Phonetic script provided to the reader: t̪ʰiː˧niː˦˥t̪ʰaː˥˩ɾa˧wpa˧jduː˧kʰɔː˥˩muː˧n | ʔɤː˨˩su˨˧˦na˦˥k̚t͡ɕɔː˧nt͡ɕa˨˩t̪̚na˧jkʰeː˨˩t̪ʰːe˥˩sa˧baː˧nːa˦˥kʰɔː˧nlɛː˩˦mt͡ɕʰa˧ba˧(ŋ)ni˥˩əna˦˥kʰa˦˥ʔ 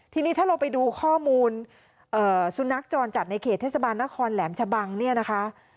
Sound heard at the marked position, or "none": ŋ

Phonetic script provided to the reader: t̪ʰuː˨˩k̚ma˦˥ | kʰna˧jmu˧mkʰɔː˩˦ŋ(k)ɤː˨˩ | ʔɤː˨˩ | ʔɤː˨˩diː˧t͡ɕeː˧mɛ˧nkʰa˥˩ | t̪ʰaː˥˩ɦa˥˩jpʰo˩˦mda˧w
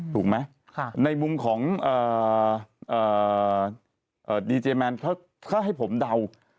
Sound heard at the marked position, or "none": ʔ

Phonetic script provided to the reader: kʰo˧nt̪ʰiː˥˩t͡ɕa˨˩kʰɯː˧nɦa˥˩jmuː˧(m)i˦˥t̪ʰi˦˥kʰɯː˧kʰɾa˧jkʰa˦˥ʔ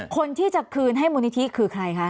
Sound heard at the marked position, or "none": n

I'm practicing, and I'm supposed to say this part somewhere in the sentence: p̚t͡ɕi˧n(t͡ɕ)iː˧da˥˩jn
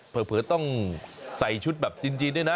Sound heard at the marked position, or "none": t͡ɕ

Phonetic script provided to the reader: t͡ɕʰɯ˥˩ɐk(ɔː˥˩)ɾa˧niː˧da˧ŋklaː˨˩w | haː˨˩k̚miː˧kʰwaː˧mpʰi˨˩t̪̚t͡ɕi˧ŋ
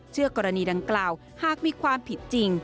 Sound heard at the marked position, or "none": ɔː˧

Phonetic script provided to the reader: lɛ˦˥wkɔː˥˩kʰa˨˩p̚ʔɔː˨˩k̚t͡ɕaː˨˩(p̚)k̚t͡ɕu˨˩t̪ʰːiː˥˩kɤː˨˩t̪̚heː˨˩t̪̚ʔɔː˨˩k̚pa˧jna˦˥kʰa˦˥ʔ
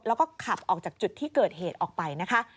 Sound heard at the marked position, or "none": none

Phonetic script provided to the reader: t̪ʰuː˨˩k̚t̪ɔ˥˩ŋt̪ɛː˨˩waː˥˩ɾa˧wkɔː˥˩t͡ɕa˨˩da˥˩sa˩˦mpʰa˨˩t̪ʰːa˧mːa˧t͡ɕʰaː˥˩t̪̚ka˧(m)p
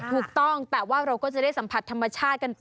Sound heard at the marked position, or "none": n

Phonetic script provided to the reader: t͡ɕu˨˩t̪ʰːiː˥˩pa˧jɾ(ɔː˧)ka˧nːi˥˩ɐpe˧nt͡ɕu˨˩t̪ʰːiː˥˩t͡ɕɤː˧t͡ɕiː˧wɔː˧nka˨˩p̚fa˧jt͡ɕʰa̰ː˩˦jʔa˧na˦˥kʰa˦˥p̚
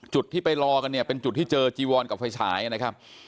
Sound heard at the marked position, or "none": ɔː˧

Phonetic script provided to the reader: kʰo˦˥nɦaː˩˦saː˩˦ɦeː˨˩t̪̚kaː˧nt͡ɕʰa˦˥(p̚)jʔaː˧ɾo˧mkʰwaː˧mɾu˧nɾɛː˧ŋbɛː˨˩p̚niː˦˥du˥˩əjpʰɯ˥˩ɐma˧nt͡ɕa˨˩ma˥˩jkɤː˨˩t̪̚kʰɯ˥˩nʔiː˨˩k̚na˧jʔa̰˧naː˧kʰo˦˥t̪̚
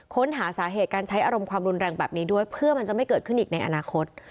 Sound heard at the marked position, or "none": none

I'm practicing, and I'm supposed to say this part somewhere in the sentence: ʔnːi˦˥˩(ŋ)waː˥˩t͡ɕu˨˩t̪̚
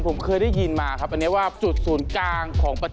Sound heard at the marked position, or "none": none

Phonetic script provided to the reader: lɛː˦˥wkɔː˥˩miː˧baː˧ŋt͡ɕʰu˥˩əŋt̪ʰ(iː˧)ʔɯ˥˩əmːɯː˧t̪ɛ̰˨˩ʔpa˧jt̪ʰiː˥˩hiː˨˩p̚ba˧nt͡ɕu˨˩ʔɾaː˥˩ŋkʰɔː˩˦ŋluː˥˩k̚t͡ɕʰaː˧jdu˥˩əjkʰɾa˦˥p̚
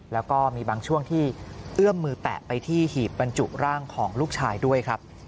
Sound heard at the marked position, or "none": iː˥˩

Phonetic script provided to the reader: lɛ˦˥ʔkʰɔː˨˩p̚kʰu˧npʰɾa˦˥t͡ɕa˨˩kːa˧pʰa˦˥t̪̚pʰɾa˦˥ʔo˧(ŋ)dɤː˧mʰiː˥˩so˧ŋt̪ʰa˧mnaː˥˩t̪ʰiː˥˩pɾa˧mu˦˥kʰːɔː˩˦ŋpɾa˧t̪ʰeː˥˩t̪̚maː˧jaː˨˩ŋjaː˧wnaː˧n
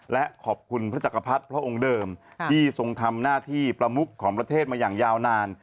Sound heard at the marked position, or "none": ŋ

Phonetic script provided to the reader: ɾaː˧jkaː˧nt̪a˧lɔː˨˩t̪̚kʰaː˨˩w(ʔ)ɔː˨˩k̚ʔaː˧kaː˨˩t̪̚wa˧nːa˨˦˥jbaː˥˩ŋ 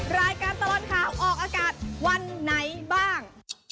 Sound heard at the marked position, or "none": ʔ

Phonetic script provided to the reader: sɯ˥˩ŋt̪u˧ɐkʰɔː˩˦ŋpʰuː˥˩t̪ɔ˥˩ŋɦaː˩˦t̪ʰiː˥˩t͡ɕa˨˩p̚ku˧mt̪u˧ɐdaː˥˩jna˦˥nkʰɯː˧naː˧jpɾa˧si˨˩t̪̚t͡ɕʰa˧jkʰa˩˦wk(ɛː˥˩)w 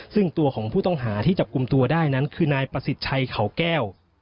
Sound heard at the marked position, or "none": ɛː˥˩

